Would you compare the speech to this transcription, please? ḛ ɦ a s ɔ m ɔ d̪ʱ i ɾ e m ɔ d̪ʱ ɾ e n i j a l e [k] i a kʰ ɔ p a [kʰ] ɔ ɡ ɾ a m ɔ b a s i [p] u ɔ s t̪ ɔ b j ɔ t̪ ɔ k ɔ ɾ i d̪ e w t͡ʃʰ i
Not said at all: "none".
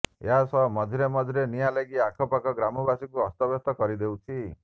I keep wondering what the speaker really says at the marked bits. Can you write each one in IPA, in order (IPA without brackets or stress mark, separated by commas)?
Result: ɡ, k, k